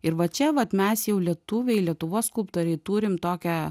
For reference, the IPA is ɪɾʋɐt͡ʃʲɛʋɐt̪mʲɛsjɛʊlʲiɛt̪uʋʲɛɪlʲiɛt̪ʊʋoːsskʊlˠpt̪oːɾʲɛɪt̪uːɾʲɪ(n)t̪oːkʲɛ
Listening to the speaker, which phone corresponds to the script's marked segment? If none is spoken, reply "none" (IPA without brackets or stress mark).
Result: m